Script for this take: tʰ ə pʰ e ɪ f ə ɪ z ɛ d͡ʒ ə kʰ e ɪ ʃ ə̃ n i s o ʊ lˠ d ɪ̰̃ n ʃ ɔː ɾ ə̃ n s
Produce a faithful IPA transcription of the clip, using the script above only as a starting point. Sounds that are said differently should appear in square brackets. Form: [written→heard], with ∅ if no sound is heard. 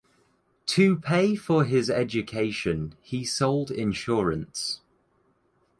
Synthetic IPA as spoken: tʰ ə pʰ e ɪ f ə ɪ z ɛ d͡ʒ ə kʰ e ɪ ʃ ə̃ n i s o ʊ lˠ d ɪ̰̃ n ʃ ɔː [ɾ→ɹ] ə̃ n s